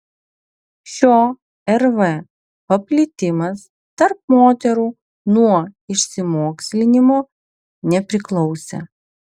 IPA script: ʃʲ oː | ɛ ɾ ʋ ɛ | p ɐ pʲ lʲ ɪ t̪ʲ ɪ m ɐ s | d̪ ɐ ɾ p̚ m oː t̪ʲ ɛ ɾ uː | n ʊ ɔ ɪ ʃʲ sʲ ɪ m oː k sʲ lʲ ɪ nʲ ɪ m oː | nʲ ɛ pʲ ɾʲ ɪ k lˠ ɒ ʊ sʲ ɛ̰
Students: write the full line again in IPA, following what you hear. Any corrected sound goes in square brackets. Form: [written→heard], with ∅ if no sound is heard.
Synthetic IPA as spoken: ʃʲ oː | ɛ ɾ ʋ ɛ | p ɐ pʲ lʲ ɪ t̪ʲ ɪ m ɐ s | [d̪→t̪] ɐ ɾ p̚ m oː t̪ʲ ɛ ɾ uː | n [ʊ→u] ɔ ɪ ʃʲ sʲ ɪ m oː k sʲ lʲ ɪ nʲ ɪ m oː | nʲ ɛ pʲ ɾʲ ɪ k lˠ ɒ ʊ sʲ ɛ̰